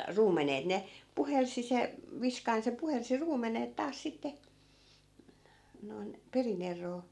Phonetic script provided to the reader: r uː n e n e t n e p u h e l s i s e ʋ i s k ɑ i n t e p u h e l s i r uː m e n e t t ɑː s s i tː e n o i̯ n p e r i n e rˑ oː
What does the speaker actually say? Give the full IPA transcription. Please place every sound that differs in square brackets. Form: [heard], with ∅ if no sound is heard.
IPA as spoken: r uː [m] e n e t n e p u h e l s i s e ʋ i s k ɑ i n [s] e p u h e l s i r uː m e n e t t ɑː s s i tː e n o i̯ n p e r i n e rˑ oː